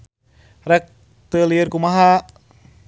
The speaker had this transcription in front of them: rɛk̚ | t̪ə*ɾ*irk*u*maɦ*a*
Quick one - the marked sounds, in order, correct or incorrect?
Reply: incorrect: l, correct, correct

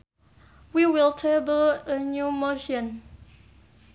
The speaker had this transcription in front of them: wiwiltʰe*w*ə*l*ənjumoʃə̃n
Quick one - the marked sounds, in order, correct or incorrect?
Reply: incorrect: b, correct

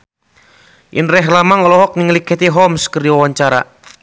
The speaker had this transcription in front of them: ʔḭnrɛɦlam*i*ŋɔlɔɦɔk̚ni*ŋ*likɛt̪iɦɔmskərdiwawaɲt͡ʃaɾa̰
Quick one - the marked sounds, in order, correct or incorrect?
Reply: incorrect: a, correct

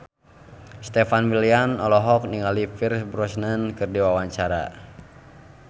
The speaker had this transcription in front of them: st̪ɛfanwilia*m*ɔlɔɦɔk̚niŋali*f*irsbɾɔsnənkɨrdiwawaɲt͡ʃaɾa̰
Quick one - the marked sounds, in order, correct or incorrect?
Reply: incorrect: n, correct

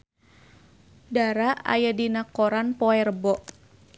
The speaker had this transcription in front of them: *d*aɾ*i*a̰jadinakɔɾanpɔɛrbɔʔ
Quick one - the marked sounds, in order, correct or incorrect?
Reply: correct, incorrect: a

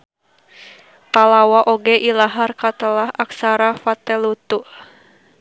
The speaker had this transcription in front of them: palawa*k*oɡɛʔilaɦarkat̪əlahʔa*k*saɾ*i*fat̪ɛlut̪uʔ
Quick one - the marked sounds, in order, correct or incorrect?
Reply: incorrect: ʔ, correct, incorrect: a

